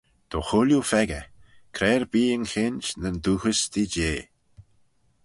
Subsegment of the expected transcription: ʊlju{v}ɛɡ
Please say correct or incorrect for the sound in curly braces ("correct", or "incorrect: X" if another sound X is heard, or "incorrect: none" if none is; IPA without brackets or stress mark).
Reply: incorrect: f